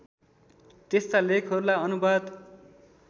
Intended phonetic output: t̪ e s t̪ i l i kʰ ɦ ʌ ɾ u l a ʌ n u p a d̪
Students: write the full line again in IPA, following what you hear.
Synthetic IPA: t̪ e s t̪ a l e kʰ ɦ ʌ ɾ u l a ʌ n u b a d̪